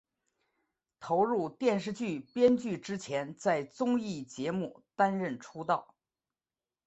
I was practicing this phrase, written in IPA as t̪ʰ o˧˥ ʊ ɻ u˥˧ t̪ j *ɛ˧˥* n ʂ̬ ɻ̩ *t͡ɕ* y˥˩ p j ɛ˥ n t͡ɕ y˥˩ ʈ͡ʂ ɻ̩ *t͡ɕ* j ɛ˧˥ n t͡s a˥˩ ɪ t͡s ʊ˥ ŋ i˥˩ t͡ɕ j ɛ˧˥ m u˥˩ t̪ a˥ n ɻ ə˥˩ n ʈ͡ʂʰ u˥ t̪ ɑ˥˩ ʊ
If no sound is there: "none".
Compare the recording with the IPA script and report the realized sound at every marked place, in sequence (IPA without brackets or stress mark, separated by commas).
ɛ˥˧, t͡ɕ, t͡ɕʰ